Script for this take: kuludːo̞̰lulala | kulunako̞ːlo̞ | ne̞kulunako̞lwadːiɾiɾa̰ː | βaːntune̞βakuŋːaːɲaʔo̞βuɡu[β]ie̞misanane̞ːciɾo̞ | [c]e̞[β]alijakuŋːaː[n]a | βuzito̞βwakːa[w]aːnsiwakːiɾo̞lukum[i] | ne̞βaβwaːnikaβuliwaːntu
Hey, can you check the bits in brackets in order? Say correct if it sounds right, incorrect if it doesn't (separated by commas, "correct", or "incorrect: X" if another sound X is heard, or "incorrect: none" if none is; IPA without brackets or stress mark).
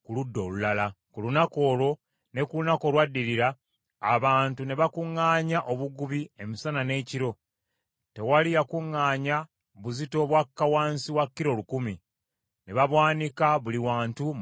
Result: correct, incorrect: t, incorrect: w, incorrect: ɲ, correct, correct